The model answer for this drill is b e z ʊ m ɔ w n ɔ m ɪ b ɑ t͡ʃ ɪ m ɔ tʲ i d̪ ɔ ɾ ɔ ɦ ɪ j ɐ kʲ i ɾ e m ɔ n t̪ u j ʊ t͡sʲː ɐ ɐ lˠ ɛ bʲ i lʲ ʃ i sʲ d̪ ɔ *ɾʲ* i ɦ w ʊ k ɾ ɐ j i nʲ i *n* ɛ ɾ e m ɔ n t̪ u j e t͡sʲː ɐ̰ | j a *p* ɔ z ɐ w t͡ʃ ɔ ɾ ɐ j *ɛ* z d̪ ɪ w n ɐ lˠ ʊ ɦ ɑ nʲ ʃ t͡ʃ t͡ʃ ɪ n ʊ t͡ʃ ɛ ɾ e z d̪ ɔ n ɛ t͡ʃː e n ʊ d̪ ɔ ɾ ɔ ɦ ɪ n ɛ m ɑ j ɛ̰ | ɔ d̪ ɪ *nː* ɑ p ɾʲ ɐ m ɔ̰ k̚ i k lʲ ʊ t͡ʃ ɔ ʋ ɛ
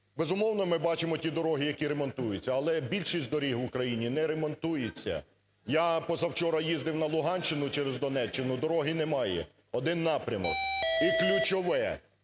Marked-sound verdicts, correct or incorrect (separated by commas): correct, correct, correct, incorrect, correct